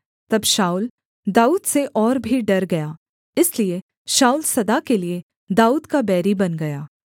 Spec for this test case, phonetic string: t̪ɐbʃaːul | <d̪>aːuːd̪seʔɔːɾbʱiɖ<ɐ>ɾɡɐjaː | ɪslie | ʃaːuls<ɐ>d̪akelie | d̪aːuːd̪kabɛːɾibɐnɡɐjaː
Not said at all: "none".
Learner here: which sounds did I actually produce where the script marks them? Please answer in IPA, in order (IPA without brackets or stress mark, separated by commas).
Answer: d̪, ɐ, ɐ